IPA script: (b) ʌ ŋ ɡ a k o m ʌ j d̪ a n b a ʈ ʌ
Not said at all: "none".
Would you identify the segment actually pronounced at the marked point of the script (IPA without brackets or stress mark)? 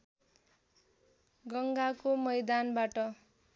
ɡ